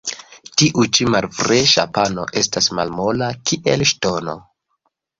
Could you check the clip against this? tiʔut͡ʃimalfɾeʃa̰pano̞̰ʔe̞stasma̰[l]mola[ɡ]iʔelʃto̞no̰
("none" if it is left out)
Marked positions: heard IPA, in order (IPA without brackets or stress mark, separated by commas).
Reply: l, k